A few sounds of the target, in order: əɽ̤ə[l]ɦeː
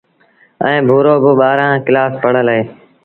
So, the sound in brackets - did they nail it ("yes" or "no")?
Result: yes